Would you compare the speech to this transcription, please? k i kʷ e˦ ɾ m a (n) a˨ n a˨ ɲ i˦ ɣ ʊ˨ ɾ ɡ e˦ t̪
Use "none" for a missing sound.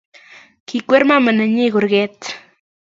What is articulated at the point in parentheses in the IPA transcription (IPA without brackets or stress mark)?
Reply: m